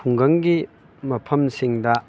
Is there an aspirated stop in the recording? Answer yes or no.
yes